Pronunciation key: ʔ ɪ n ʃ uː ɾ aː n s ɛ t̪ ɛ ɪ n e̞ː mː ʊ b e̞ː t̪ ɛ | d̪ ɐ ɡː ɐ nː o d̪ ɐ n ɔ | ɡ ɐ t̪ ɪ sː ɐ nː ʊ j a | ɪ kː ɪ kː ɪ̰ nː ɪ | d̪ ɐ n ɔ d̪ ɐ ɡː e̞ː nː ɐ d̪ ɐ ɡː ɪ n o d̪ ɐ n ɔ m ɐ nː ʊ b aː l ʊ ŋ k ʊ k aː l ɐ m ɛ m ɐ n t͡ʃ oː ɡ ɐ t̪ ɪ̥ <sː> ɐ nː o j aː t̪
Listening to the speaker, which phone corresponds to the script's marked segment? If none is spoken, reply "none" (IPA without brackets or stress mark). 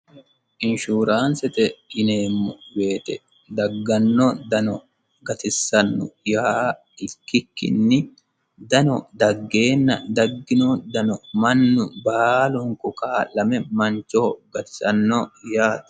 s